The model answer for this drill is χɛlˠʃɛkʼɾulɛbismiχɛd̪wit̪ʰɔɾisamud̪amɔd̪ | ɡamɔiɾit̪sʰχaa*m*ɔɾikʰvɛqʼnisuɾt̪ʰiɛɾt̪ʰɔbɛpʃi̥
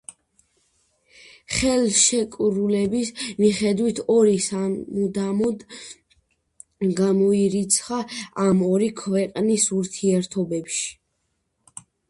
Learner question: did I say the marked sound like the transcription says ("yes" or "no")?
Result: yes